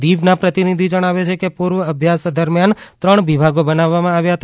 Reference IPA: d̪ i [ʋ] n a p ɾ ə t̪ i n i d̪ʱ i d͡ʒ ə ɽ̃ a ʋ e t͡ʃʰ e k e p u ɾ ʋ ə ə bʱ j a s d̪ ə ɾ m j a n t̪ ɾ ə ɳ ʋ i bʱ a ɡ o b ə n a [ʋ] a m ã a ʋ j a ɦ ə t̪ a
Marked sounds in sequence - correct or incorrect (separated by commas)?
correct, incorrect